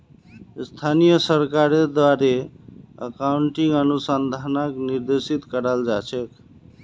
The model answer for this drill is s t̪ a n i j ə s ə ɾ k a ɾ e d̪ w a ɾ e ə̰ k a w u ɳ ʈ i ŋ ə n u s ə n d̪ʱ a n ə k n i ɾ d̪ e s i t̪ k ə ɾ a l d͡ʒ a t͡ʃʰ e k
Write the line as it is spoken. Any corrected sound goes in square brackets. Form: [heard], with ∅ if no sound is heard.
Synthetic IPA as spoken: s [t̪ʰ] a n i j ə s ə ɾ k a ɾ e d̪ w a ɾ e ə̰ k a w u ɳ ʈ i ŋ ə n u s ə n d̪ʱ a n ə k n i ɾ d̪ e s i t̪ k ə ɾ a l d͡ʒ a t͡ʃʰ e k